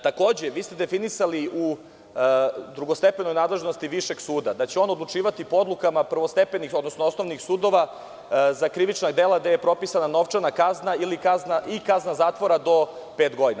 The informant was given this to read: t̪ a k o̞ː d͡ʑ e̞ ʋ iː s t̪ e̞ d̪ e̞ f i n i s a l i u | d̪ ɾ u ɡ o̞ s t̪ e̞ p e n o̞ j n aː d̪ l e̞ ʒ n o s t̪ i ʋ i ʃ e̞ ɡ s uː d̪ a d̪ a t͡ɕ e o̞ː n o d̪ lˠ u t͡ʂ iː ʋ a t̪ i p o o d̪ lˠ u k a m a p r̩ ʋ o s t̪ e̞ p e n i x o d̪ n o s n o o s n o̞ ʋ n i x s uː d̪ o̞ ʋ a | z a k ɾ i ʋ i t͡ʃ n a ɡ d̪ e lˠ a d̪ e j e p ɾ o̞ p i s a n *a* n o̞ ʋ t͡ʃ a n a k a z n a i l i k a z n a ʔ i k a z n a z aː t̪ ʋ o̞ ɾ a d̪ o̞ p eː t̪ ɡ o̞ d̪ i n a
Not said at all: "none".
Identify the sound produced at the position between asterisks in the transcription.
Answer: a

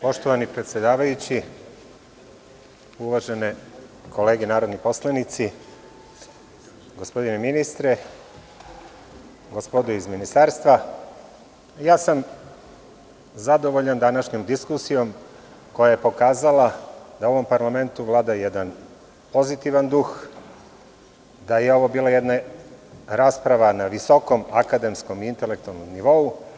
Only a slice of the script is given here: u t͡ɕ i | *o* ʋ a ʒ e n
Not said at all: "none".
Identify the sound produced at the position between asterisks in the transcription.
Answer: u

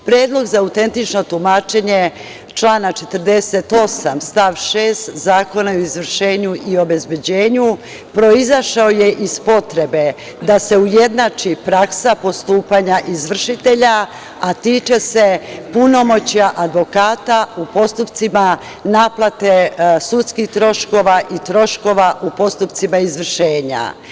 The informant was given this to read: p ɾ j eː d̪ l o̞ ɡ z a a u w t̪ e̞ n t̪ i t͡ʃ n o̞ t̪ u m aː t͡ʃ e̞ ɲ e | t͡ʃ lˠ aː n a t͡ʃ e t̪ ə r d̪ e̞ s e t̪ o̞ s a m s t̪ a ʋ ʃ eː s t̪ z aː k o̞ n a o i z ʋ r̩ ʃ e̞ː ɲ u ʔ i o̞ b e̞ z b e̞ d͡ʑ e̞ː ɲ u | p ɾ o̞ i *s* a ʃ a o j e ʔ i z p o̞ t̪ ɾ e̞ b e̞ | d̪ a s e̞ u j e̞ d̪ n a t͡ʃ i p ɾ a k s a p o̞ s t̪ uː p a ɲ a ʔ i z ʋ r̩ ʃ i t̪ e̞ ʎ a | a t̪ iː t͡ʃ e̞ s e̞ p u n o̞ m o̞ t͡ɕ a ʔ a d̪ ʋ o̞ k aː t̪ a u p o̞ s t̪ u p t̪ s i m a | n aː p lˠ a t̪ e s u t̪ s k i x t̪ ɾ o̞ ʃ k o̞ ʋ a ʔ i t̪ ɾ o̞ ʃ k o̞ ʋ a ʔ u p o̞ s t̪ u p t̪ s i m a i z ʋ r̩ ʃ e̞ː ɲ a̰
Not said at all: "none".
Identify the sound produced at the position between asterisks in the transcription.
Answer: z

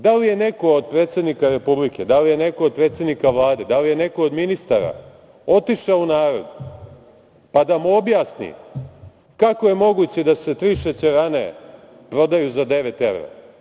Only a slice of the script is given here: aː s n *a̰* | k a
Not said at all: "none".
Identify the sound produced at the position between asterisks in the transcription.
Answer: ḭ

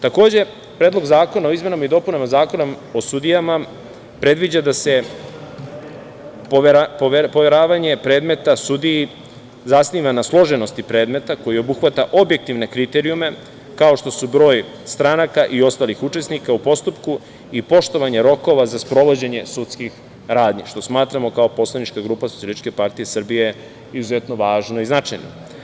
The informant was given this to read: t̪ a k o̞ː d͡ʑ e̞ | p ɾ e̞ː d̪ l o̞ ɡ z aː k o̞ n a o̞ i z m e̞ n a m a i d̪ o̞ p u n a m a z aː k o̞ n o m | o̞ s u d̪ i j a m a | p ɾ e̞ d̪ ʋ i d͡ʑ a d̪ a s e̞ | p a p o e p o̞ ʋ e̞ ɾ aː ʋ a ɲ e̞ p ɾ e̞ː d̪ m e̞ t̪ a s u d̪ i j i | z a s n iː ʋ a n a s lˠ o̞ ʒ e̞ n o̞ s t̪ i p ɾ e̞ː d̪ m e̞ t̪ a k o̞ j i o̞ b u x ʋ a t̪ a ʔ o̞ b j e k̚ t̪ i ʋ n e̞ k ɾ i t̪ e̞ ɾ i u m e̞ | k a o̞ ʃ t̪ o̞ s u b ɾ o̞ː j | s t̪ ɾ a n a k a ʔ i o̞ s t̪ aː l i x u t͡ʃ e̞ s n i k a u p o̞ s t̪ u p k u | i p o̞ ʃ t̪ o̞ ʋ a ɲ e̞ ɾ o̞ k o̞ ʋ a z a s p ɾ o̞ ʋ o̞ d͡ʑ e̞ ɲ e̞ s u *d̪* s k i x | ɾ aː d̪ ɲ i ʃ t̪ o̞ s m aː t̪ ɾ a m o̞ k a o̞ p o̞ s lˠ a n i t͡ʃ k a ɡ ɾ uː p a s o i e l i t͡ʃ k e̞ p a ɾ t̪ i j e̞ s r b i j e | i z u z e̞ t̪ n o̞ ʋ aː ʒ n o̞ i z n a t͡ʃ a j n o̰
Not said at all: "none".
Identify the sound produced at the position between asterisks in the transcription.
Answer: t̪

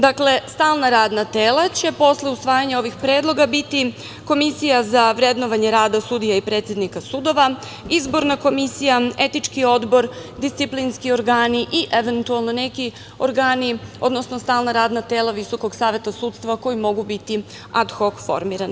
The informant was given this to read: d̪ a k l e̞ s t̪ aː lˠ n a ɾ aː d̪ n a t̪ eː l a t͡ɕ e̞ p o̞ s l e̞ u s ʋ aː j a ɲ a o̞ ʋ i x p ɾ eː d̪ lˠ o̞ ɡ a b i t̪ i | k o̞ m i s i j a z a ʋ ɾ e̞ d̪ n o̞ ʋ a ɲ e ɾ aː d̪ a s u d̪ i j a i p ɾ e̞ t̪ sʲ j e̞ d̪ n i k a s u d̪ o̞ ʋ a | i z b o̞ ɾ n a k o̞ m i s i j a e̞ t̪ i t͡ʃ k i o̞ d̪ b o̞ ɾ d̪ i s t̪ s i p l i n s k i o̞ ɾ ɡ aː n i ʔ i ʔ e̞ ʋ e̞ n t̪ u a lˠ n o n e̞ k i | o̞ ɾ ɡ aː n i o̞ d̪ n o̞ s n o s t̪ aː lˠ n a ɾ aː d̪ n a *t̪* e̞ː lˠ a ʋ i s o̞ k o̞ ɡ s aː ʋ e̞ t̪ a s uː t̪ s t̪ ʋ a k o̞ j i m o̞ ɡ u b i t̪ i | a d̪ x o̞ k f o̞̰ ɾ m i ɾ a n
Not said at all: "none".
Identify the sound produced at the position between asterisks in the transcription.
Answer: t̪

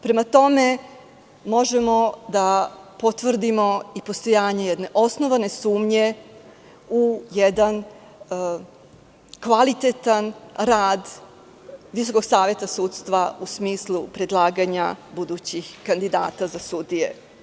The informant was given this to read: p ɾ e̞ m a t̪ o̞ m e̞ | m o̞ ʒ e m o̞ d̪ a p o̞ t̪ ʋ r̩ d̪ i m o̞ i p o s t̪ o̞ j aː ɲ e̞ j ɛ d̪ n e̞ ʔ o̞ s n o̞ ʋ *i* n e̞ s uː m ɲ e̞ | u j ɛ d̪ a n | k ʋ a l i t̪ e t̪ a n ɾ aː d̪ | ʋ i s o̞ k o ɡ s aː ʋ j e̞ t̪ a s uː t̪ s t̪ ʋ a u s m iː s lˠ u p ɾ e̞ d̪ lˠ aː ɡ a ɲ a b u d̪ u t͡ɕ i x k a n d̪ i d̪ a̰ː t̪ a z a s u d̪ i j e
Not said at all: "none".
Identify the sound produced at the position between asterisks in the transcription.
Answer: a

